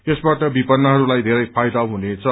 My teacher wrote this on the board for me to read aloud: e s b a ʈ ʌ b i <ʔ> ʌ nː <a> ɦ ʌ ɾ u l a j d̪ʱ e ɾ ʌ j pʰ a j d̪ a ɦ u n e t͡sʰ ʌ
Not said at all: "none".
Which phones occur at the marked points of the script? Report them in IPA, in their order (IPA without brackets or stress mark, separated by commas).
p, ʌ